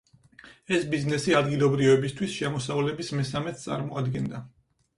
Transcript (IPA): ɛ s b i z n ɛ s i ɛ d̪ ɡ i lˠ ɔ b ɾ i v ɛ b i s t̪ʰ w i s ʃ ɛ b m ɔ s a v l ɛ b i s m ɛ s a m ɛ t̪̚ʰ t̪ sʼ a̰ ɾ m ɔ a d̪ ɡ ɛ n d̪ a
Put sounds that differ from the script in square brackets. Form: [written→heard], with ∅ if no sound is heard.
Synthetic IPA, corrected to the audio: ɛ s b i z n ɛ s i [ɛ→a] d̪ ɡ i lˠ ɔ b ɾ i v ɛ b i s t̪ʰ w i s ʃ ɛ [b→∅] m ɔ s a v l ɛ b i s m ɛ s a m ɛ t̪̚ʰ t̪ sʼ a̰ ɾ m ɔ a d̪ ɡ ɛ n d̪ a